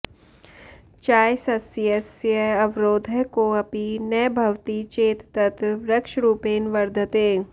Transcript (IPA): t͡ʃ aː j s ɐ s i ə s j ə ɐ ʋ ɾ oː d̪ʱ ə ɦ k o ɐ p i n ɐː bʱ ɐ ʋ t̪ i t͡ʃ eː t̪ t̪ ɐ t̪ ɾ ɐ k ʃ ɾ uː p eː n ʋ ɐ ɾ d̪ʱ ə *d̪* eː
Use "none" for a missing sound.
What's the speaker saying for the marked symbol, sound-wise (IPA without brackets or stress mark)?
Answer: t̪